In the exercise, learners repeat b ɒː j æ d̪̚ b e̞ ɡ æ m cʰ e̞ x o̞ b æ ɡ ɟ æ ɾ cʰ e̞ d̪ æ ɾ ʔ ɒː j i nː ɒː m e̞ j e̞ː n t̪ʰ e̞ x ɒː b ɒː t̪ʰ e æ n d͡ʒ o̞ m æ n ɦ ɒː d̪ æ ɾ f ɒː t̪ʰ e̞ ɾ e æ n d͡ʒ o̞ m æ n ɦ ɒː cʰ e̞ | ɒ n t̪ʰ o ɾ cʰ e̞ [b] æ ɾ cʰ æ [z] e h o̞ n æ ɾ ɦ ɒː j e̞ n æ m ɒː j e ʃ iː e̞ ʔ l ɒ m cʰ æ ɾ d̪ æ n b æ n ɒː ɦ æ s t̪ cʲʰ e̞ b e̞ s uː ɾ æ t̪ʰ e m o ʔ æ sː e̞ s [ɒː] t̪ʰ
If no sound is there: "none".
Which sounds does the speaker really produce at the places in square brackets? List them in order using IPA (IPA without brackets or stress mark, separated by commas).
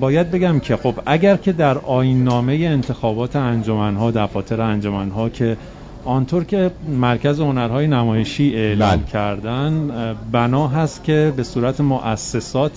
m, z, ɒː